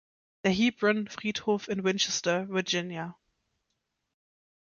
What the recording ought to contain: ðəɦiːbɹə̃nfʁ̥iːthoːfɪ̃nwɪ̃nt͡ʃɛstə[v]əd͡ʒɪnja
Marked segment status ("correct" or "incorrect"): correct